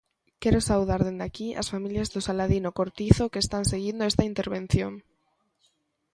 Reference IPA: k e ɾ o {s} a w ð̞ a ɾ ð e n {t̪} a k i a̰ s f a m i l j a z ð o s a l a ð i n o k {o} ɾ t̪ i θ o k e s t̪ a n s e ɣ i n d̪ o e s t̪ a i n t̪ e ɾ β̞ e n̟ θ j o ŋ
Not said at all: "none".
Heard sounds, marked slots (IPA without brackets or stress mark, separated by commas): s, d̪, o